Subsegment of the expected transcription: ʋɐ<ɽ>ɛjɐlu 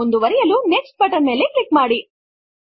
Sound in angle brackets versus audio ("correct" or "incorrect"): incorrect